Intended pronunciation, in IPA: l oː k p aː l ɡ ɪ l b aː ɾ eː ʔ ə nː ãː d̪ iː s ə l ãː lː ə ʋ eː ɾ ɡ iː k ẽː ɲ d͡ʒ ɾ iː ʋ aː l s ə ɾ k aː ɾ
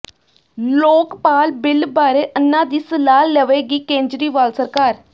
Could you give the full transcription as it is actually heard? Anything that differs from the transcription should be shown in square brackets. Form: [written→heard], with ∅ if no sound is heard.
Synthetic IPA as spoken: l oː k p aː l [ɡ→b] ɪ l b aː ɾ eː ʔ ə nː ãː d̪ iː s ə l [ãː→aː] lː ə ʋ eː [ɾ→∅] ɡ iː k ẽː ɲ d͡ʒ ɾ iː ʋ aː l s ə ɾ k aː ɾ